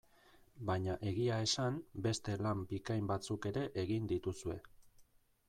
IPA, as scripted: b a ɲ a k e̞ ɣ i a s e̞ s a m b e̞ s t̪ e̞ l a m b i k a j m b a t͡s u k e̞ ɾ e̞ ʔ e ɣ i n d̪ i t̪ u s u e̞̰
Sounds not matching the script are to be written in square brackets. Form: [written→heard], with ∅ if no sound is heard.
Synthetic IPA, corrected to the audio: b a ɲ a [k→ʔ] e̞ ɣ i a [s→∅] e̞ s a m b e̞ s t̪ e̞ l a m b i k a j m b a t͡s u k e̞ ɾ e̞ ʔ e ɣ i n d̪ i t̪ u s u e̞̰